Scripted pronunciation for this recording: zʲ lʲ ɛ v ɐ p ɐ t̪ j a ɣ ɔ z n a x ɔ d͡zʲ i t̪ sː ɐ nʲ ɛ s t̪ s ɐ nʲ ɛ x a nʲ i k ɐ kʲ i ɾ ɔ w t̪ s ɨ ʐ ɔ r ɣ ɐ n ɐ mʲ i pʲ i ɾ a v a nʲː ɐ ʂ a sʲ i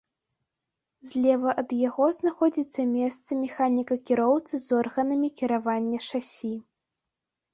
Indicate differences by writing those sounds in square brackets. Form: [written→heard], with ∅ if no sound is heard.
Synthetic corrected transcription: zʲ lʲ ɛ v ɐ [p→ʔ] ɐ [t̪→d̪] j a ɣ ɔ z n a x ɔ d͡zʲ i t̪ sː ɐ [nʲ→mʲ] ɛ s t̪ s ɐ [nʲ→mʲ] ɛ x a nʲ i k ɐ kʲ i ɾ ɔ w t̪ s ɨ [ʐ→z] ɔ r ɣ ɐ n ɐ mʲ i [pʲ→kʲ] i ɾ a v a nʲː ɐ ʂ a sʲ i